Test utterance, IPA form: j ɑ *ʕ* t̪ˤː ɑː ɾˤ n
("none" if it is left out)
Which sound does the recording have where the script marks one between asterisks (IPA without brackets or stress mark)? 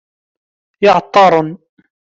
ʕ